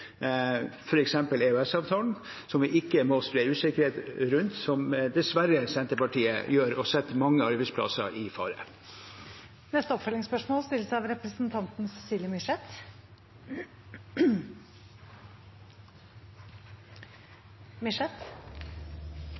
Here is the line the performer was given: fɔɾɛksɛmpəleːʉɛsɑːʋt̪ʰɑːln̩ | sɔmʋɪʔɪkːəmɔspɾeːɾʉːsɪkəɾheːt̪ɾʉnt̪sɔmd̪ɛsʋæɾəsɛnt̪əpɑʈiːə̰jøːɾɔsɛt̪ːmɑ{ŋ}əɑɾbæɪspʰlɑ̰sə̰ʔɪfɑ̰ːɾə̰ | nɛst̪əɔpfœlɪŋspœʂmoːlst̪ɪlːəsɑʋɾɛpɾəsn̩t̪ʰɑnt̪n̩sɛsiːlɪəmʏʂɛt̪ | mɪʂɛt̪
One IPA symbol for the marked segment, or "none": ŋː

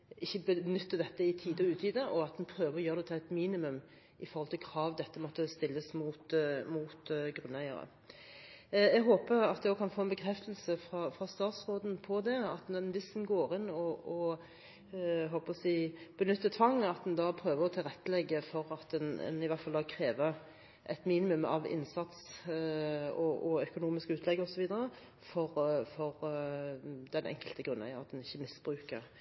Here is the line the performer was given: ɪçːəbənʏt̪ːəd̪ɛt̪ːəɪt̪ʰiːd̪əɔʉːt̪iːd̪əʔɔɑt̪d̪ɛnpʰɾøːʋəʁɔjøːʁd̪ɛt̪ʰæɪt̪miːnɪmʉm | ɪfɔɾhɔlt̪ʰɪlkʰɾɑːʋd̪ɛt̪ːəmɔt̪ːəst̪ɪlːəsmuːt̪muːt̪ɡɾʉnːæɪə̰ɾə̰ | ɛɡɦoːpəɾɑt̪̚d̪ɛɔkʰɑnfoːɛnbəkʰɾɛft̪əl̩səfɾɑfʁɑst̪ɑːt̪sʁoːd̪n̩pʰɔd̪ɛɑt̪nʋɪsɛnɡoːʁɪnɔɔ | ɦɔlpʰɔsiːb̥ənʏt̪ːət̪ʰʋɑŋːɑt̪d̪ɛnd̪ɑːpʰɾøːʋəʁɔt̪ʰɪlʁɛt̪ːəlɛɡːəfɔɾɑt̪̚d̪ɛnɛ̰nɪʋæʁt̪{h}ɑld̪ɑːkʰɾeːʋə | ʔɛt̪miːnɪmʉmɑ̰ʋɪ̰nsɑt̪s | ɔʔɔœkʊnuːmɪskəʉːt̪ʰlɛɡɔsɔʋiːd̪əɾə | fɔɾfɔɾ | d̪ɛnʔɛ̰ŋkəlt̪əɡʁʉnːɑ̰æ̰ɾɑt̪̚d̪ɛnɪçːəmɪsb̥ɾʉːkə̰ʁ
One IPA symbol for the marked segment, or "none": f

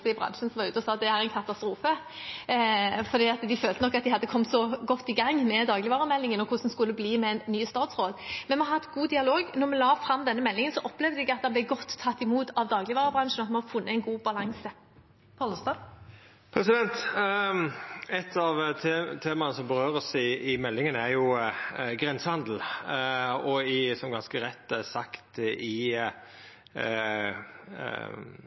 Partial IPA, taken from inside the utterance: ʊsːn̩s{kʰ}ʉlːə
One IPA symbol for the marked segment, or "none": k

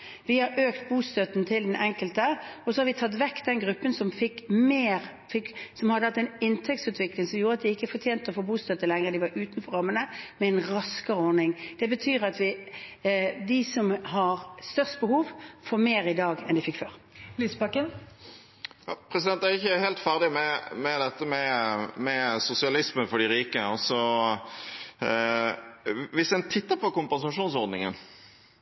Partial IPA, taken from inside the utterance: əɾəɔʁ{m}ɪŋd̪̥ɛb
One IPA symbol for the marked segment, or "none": n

